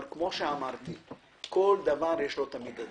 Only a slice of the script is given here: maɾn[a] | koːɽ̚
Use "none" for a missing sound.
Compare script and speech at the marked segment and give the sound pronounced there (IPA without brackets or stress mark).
i